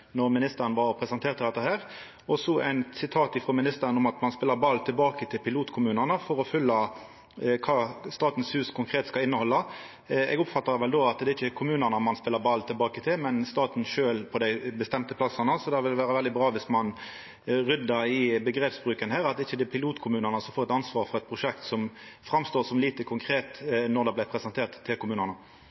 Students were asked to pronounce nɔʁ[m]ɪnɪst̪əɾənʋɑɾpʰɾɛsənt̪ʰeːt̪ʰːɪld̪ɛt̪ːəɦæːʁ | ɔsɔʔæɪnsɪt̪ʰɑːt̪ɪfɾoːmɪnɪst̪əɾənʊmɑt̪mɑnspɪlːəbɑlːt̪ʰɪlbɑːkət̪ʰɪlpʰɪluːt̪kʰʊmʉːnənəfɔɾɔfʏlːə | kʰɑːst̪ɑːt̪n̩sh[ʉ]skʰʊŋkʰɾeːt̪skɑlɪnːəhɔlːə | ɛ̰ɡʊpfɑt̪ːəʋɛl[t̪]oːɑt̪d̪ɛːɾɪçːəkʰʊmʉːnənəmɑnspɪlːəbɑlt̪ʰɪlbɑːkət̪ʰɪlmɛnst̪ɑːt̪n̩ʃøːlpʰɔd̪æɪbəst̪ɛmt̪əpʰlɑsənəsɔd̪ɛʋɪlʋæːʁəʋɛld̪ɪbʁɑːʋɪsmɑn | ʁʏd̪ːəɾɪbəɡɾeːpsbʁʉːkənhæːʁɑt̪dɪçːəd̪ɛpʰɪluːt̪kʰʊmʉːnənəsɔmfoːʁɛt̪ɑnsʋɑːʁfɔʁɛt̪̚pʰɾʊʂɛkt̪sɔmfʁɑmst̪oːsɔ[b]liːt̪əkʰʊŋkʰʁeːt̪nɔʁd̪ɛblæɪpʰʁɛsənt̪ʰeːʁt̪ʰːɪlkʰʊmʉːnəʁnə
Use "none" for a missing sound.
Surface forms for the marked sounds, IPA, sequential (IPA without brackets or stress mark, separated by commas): m, ʉː, d̪, m